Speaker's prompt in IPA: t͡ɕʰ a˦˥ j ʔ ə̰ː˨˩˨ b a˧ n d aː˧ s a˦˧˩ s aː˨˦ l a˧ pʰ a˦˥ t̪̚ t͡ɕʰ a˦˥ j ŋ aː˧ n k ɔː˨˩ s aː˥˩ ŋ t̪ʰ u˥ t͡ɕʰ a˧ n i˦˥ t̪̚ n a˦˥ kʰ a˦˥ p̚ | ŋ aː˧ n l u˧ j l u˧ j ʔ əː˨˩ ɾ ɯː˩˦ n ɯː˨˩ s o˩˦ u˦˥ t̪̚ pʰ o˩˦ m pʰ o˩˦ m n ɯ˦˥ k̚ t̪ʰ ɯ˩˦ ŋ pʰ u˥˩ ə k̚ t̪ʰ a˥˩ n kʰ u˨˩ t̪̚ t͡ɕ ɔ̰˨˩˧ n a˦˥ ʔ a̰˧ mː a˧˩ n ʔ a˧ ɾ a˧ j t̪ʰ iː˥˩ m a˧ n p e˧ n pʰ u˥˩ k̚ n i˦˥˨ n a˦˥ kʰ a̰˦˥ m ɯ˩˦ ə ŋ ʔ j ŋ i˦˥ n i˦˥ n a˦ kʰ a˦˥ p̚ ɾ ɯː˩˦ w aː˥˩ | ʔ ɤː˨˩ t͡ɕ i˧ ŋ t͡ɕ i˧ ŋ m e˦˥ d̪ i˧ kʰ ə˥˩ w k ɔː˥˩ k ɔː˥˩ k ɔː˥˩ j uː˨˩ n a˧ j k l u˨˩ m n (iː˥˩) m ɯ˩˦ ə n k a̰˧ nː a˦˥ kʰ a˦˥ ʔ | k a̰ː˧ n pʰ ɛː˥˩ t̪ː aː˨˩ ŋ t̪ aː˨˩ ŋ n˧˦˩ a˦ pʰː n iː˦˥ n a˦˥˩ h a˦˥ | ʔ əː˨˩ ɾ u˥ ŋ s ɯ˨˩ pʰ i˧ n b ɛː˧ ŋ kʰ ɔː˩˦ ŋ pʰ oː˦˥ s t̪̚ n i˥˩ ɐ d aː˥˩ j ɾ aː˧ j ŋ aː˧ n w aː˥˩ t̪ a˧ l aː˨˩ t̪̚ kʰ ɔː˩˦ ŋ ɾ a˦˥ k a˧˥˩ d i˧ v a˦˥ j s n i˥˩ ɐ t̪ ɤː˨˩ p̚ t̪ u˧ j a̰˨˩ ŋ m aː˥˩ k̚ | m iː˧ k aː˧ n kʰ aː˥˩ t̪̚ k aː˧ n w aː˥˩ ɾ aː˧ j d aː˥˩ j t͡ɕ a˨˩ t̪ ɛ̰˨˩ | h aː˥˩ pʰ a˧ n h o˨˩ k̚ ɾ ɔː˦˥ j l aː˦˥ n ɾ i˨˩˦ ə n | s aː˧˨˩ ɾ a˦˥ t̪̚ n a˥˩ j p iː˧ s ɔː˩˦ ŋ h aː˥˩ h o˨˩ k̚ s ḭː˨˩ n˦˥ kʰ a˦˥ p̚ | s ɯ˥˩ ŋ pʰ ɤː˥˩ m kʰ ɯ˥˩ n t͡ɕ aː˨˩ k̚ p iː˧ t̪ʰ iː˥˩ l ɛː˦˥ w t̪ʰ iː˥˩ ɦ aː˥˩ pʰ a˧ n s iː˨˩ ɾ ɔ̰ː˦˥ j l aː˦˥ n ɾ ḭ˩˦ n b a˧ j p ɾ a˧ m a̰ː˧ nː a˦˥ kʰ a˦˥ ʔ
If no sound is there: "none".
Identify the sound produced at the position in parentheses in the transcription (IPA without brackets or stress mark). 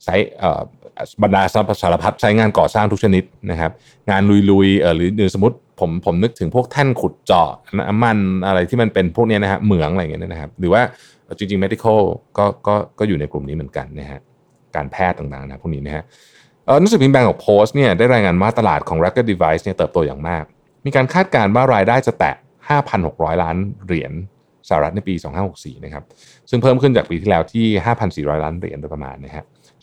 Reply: iː˦˥